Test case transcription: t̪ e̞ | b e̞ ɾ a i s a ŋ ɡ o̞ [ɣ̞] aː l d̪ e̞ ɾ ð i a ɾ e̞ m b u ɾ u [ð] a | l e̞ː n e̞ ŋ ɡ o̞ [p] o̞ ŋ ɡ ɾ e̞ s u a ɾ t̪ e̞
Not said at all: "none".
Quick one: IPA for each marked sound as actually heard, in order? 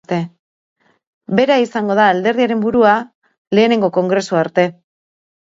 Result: ð̞, none, k

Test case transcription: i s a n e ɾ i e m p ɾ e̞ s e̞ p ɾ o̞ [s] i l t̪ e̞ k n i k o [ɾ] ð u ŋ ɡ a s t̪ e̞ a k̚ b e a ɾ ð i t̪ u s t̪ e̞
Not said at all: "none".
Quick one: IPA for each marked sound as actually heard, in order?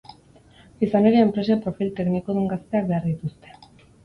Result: f, none

